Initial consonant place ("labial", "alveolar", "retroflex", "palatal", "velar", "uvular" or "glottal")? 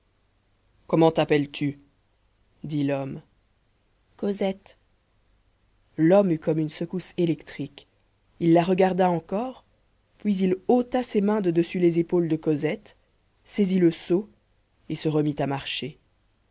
velar